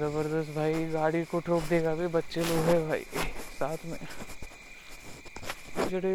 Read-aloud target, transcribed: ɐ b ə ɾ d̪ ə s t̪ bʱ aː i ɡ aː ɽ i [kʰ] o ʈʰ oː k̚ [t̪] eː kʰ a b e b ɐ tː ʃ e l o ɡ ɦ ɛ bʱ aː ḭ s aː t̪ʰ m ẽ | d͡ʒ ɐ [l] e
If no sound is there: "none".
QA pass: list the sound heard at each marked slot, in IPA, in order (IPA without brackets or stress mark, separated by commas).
k, d̪, ɽ